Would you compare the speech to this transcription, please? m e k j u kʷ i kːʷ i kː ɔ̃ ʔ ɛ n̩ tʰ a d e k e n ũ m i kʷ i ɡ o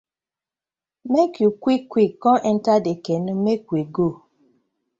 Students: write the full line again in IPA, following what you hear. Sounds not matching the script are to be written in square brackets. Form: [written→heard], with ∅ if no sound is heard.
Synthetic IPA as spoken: m e k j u kʷ i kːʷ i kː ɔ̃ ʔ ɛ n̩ [tʰ→t] a d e k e n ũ m [i→e] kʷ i ɡ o